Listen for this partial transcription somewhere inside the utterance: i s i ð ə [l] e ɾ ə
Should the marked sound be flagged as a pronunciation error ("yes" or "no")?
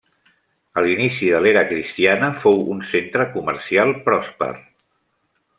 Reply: no